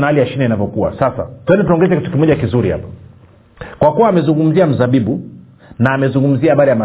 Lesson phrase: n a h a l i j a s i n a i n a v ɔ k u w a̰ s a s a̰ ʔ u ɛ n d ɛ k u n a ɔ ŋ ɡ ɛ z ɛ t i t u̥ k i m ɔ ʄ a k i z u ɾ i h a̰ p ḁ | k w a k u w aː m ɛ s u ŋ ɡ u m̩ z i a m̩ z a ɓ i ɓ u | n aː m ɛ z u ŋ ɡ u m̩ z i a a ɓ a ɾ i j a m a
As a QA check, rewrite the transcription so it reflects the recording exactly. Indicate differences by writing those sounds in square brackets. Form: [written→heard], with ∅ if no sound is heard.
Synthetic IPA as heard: n a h a l i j a [s→ʃ] i n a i n a v ɔ k u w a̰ s a s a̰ [ʔ→t] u ɛ n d ɛ [k→t] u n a ɔ ŋ ɡ ɛ z ɛ [t→k] i t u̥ k i m ɔ ʄ a k i z u ɾ i h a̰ p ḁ | k w a k u w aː m ɛ [s→z] u ŋ ɡ u m̩ z i a m̩ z a ɓ i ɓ u | n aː m ɛ z u ŋ ɡ u m̩ z i a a ɓ a ɾ i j a m a